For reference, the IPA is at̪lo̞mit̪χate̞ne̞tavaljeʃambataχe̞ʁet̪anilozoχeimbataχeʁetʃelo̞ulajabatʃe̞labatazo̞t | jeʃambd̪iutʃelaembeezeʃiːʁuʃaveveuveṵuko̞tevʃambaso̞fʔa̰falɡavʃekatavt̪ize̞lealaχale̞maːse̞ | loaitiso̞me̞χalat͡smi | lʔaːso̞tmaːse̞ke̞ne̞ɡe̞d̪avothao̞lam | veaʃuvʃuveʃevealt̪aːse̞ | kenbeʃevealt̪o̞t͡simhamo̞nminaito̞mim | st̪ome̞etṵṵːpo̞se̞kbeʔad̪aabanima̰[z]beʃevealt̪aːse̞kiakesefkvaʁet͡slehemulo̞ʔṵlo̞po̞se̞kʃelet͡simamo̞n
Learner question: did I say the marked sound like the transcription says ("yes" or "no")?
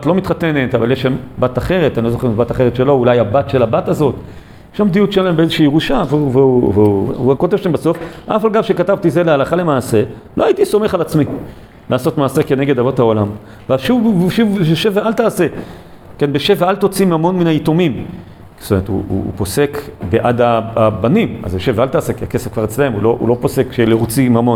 yes